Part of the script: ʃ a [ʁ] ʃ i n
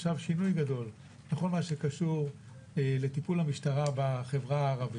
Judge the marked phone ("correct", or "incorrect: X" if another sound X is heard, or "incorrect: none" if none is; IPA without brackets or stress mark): incorrect: v